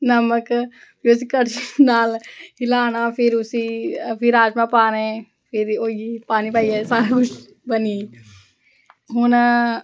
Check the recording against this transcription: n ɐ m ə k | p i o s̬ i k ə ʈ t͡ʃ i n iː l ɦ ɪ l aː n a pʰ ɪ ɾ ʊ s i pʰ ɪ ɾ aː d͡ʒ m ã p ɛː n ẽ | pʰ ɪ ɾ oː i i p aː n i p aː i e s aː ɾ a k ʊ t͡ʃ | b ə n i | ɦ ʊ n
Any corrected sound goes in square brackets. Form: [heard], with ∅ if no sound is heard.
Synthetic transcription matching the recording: n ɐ m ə k | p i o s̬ i k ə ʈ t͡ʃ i n [aː] l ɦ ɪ l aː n a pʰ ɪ ɾ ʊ s i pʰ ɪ ɾ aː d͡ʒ m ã p [aː] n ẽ | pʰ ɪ ɾ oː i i p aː n i p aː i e s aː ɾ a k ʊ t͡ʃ | b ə n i | ɦ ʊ n

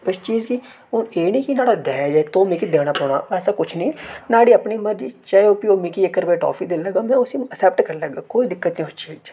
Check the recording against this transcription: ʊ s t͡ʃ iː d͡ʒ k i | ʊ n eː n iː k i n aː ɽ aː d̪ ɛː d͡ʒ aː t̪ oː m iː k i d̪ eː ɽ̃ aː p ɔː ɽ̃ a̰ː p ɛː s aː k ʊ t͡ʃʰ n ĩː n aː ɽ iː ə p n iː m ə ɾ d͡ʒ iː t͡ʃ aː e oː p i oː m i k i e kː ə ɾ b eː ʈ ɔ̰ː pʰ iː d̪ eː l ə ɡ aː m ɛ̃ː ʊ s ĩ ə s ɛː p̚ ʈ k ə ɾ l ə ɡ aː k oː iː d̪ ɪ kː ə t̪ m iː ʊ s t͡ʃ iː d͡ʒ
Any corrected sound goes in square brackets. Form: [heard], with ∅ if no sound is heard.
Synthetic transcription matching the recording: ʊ s t͡ʃ iː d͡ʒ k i | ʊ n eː n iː k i n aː ɽ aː d̪ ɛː d͡ʒ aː t̪ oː m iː k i d̪ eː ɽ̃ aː p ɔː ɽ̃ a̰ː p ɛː s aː k ʊ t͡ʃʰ n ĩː n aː ɽ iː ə p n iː m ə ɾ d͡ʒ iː t͡ʃ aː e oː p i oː m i k i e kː ə ɾ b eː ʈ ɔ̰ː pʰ iː d̪ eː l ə ɡ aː m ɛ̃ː ʊ s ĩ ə s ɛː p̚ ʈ k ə ɾ l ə ɡ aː k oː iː d̪ ɪ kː ə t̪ [n] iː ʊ s t͡ʃ iː d͡ʒ

